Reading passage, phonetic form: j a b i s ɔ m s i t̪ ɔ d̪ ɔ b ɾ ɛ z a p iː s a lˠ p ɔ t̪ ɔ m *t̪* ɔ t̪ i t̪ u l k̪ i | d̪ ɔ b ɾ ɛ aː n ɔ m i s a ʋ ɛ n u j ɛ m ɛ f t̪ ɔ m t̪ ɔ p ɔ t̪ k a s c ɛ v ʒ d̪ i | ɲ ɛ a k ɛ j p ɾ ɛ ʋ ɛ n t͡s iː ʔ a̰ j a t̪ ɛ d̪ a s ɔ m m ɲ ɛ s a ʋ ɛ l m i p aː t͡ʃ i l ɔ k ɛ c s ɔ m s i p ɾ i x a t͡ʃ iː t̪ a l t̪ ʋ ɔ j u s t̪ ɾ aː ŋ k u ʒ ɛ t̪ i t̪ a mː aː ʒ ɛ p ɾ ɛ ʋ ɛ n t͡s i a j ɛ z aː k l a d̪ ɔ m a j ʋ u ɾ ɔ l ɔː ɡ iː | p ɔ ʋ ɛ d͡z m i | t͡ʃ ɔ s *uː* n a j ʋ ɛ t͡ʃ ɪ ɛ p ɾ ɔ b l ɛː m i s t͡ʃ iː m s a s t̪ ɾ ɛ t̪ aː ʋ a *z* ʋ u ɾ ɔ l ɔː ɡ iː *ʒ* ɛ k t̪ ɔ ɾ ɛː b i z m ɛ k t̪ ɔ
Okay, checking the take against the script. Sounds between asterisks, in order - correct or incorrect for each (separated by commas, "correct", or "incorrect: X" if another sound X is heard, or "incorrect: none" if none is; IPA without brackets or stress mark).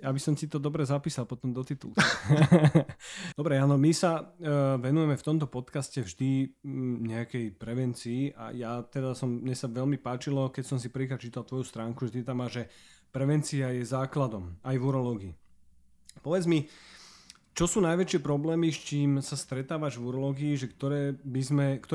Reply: incorrect: d̪, correct, incorrect: ʒ, correct